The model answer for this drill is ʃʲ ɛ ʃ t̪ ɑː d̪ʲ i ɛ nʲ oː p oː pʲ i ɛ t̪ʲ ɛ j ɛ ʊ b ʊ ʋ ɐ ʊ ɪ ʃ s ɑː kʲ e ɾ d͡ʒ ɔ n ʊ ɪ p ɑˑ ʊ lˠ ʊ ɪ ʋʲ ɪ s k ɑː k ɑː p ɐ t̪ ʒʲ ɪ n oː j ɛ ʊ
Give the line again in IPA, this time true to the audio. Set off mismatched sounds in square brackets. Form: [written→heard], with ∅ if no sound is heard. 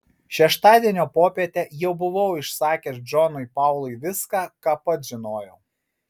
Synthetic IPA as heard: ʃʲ ɛ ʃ t̪ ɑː d̪ʲ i ɛ nʲ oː p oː pʲ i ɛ t̪ʲ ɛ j ɛ ʊ b ʊ ʋ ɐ ʊ ɪ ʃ s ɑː kʲ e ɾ d͡ʒ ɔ n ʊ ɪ p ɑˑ ʊ lˠ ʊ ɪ ʋʲ ɪ s k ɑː k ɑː p ɐ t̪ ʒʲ ɪ n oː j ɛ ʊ